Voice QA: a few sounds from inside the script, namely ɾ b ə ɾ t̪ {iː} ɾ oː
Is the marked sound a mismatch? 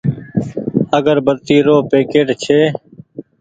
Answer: no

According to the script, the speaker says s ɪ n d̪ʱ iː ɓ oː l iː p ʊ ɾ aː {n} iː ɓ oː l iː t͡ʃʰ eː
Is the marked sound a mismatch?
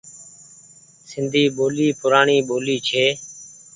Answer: yes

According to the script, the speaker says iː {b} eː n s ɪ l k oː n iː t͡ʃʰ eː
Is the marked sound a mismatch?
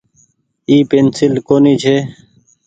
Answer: yes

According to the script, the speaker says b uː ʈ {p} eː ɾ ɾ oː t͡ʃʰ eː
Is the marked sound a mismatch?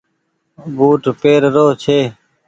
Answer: no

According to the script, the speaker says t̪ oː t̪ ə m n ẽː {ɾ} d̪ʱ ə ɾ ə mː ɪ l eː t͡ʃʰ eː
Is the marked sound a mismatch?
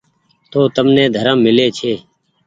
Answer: yes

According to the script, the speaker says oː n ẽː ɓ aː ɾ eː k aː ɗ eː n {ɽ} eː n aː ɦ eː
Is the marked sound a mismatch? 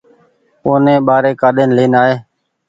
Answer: yes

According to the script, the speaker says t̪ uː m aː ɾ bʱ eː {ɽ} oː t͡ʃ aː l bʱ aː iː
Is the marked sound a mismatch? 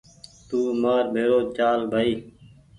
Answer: yes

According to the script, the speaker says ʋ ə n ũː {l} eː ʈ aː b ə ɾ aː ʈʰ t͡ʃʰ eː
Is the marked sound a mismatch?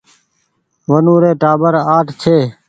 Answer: yes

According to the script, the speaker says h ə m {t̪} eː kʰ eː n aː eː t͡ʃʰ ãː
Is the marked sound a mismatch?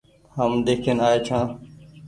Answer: yes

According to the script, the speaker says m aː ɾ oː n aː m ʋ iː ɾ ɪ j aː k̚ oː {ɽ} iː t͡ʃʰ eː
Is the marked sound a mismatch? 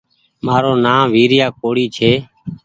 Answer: no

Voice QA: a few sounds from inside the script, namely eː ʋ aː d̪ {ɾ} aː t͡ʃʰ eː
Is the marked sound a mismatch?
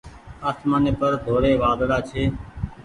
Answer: yes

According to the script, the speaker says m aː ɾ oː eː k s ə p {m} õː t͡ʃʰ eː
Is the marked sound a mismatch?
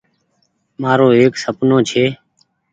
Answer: yes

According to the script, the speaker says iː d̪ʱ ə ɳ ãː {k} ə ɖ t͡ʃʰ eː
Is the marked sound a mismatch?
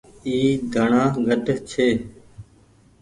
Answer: yes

